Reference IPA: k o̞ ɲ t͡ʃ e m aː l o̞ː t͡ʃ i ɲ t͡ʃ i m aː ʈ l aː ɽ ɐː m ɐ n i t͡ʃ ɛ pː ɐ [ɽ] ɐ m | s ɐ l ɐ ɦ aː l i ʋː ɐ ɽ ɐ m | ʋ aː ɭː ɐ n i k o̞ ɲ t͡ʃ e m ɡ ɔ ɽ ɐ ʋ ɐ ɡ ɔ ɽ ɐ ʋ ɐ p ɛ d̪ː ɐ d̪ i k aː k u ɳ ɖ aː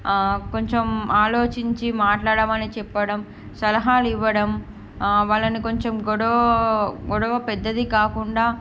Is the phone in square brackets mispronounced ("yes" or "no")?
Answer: no